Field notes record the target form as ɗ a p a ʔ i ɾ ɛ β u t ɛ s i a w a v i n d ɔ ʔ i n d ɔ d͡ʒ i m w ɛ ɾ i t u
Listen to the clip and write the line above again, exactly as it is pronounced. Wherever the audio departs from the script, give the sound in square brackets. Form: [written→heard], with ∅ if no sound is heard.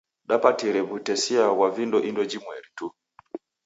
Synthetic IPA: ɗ a p a [ʔ→t] i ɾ ɛ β u t ɛ s i a w a v i n d ɔ ʔ i n d ɔ d͡ʒ i m w ɛ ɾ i t u